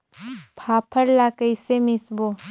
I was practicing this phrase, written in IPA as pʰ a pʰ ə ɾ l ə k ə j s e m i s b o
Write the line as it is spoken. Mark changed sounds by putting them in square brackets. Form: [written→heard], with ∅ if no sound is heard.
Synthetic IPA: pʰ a pʰ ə ɾ l [ə→a] k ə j s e m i s b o